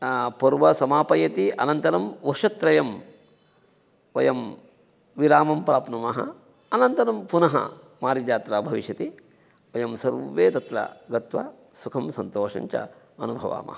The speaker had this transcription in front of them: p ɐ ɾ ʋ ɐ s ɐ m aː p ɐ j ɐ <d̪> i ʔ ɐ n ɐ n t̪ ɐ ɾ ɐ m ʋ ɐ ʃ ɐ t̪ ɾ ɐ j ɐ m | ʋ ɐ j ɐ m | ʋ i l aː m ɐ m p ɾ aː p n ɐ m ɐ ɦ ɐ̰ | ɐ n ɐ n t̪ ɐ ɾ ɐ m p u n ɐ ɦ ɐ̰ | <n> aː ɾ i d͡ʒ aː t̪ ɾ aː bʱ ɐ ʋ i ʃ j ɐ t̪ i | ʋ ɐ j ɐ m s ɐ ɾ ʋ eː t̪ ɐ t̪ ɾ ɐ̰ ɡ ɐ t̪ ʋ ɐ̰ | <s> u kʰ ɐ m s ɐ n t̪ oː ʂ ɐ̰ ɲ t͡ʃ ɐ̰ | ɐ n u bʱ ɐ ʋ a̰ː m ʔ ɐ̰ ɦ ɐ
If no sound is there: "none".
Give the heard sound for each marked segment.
t̪, m, s

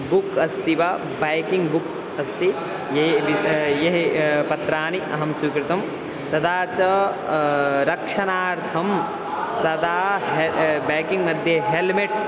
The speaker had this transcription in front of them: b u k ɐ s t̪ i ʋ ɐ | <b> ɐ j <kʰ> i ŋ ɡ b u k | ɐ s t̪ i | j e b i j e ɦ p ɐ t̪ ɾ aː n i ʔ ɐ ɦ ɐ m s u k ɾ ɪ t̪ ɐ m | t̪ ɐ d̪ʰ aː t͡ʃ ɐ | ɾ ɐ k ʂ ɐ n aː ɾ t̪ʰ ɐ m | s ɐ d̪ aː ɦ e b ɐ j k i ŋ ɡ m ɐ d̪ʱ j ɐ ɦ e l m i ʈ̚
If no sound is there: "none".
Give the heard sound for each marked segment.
b, k

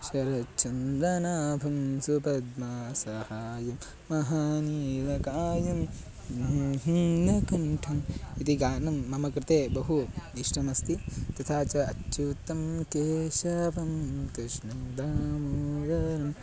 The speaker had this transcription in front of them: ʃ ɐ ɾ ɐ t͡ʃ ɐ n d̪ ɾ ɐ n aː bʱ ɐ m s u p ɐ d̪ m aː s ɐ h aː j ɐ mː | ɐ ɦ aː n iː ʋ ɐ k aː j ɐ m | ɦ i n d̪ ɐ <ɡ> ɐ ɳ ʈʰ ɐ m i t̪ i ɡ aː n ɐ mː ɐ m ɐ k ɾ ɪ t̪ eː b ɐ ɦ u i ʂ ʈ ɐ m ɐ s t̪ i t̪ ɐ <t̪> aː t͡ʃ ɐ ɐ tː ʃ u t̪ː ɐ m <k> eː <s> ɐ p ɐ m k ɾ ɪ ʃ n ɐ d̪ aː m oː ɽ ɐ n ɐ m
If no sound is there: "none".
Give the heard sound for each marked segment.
k, t̪ʰ, k, ʃ

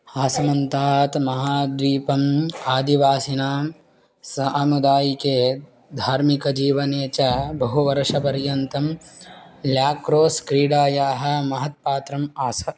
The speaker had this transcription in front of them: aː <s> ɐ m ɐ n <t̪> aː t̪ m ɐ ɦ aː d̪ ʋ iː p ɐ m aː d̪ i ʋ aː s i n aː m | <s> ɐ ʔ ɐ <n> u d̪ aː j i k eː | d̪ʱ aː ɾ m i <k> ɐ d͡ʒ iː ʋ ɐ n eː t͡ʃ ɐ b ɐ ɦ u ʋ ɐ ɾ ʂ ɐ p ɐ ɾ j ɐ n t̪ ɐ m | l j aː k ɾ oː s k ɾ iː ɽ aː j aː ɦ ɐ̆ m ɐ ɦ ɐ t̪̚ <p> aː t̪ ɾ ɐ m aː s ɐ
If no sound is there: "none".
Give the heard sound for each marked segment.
s, t̪, s, m, k, p

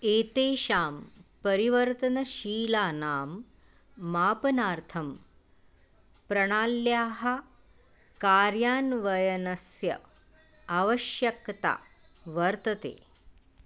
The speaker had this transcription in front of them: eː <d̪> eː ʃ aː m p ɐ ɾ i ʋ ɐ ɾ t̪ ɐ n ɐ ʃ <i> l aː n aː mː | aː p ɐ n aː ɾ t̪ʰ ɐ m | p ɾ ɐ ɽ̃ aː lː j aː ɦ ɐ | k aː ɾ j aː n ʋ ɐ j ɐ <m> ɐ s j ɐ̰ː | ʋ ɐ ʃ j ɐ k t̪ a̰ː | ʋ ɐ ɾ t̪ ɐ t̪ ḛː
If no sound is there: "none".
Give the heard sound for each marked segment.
t̪, iː, n

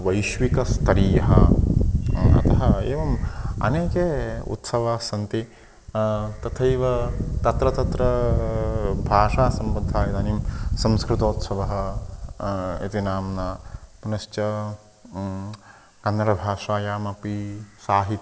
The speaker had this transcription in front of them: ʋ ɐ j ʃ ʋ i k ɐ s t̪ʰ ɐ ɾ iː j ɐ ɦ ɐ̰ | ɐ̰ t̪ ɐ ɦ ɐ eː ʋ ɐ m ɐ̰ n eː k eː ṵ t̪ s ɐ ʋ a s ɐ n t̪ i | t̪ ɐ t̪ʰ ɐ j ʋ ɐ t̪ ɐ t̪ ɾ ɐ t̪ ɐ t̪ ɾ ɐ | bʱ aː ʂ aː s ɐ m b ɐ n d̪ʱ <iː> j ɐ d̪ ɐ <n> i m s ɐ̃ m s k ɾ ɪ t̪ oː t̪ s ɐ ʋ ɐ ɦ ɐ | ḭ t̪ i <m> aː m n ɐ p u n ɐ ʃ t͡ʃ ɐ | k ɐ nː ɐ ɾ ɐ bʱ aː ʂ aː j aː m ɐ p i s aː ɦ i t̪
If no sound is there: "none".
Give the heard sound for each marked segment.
aː, n, n

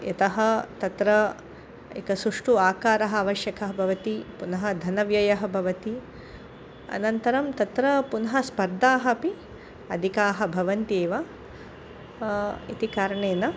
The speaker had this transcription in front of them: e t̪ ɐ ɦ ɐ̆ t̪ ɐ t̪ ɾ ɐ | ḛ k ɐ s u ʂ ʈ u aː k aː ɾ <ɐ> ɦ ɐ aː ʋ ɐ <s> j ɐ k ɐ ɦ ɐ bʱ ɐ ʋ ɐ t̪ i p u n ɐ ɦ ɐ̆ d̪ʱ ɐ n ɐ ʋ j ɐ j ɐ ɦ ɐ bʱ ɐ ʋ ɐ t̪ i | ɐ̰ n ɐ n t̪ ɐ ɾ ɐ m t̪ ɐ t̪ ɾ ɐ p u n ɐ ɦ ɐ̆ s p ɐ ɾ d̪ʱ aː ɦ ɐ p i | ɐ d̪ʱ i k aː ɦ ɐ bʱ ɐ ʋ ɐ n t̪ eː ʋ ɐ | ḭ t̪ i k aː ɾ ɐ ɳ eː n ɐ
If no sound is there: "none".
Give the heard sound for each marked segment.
ɐ, ʃ

